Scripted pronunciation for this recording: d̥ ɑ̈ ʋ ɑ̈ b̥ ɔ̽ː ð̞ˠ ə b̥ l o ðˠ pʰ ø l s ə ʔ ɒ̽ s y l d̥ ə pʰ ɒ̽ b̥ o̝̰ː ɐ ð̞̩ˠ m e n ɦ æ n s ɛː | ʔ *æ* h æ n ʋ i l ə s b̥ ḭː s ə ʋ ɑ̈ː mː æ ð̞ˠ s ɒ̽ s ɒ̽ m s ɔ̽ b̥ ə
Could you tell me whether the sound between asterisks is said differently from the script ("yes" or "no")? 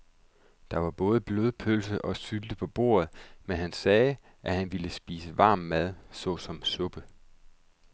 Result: no